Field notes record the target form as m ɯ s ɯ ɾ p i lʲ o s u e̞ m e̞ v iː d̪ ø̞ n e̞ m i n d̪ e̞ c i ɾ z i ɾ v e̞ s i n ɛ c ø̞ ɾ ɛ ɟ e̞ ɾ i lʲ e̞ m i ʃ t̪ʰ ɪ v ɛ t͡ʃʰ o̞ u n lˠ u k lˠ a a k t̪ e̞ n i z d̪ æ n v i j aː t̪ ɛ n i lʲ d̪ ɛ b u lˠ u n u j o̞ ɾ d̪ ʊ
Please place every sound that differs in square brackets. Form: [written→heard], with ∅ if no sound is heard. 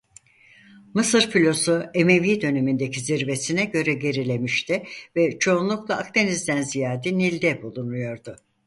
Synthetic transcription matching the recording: m ɯ s ɯ ɾ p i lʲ o s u e̞ m e̞ v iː d̪ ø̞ n e̞ m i n d̪ e̞ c i [ɾ→∅] z i ɾ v e̞ s i n ɛ [c→ɟ] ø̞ ɾ ɛ ɟ e̞ ɾ i lʲ e̞ m i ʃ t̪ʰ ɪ v ɛ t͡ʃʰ o̞ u n lˠ u k lˠ a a k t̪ e̞ n i z d̪ æ n [v→z] i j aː [t̪→d̪] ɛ n i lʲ d̪ ɛ b u lˠ u n u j o̞ ɾ d̪ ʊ